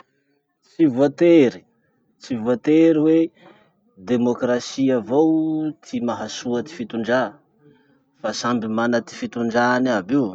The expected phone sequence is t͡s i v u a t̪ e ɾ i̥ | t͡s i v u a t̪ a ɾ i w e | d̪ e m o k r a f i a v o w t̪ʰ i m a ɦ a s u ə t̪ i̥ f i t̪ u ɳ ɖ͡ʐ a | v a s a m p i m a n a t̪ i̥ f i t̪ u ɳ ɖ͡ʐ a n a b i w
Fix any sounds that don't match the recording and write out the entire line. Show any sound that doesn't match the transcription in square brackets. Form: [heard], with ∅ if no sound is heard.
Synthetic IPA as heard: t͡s i v u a t̪ e ɾ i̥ | t͡s i v u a t̪ [e] ɾ i w e | d̪ e m o k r a [s] i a v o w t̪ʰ i m a ɦ a s u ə t̪ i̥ f i t̪ u ɳ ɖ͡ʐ a | [f] a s a m [b] i m a n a t̪ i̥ f i t̪ u ɳ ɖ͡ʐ a n a b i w

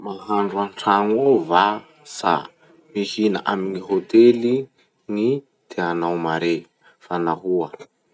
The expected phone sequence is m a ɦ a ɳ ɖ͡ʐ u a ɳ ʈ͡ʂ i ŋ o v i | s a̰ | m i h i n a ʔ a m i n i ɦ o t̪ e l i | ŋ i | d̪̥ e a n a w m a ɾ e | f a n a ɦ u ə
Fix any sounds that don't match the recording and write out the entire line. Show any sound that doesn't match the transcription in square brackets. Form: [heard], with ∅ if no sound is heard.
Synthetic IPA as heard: m a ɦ a ɳ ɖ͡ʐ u a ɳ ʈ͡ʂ [a] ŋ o v [a] | s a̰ | m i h i n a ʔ a m i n i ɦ o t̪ e l i | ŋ i | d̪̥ e a n a w m a ɾ e | f a n a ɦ u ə

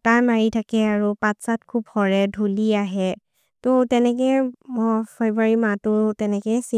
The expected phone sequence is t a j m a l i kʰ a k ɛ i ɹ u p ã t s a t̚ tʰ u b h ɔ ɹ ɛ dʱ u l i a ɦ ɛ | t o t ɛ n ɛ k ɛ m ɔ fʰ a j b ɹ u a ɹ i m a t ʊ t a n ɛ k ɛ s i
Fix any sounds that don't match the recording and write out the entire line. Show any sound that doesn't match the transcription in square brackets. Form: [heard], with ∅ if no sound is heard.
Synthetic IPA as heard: t a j m a [ɹ] i [tʰ] a k ɛ [a] ɹ u p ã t s a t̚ [kʰ] u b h ɔ ɹ ɛ dʱ u l i a ɦ ɛ | t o t ɛ n ɛ k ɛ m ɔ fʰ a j b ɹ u a ɹ i m a t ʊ t [ɛ] n ɛ k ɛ s i

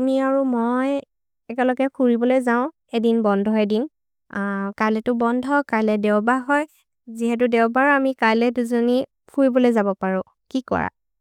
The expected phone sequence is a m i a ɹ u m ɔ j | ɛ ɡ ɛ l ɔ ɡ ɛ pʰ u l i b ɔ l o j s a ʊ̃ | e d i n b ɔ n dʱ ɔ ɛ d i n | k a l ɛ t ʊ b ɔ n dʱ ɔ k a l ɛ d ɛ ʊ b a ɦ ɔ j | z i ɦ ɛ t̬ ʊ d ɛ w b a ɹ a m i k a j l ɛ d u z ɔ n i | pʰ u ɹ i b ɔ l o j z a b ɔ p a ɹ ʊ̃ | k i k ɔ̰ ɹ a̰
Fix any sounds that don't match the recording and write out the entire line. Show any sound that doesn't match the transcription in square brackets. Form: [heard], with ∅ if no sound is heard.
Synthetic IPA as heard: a m i a ɹ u m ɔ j | ɛ [k] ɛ l ɔ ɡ ɛ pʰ u [ɹ] i b ɔ l o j [z] a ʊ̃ | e d i n b ɔ n dʱ ɔ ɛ d i n | k a l ɛ t ʊ b ɔ n dʱ ɔ k a l ɛ d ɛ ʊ b a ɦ ɔ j | z i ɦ ɛ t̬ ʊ d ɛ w b a ɹ a m i k a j l ɛ d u z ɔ n i | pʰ u ɹ i b ɔ l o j z a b ɔ p a ɹ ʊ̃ | k i k ɔ̰ ɹ a̰

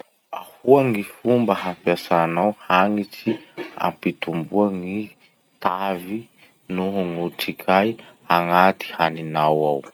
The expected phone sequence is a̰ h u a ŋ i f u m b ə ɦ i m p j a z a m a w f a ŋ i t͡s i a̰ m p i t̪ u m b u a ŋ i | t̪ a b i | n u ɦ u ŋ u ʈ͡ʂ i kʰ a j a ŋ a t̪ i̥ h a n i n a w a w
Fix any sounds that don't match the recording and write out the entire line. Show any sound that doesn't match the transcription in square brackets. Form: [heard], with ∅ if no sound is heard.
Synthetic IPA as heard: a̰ h u a ŋ i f u m b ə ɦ [a] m p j a [s] a [n] a w [h] a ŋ i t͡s i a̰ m p i t̪ u m b u a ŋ i | t̪ a [v] i | n u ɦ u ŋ u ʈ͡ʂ i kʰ a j a ŋ a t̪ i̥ h a n i n a w a w

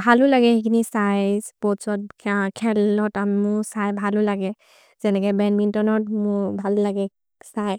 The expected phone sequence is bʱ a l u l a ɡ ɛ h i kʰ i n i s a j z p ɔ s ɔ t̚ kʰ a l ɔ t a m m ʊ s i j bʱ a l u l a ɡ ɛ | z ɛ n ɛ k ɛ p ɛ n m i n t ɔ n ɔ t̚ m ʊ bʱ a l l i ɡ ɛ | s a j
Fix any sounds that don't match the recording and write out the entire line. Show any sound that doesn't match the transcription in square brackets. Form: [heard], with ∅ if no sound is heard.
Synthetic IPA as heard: bʱ a l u l a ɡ ɛ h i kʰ i n i s a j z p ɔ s ɔ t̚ kʰ [ɛ] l ɔ t a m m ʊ s [a] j bʱ a l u l a ɡ ɛ | z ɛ n ɛ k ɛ [b] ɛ n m i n t ɔ n ɔ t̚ m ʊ bʱ a l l [a] ɡ ɛ | s a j

